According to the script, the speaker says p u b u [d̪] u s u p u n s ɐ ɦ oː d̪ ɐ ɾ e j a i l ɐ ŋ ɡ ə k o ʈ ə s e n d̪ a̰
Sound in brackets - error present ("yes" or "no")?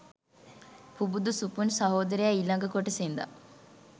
no